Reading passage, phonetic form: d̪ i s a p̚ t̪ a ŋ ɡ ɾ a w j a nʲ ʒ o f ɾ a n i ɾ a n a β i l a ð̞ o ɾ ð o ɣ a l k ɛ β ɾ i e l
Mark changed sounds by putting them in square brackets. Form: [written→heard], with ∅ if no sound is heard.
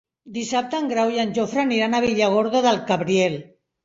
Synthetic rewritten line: d̪ i s a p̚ t̪ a ŋ ɡ ɾ a w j a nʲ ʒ o f ɾ a n i ɾ a n a β i [l→ʎ] a [ð̞→ɣ̞] o ɾ ð o [ɣ→ð] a l k [ɛ→a] β ɾ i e l